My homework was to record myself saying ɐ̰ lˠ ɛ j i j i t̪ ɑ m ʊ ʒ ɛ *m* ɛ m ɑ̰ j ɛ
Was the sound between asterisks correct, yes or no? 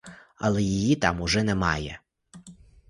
no